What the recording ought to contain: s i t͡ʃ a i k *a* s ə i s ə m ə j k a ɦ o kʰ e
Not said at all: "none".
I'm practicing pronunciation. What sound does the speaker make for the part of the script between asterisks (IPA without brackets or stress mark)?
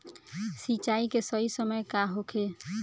e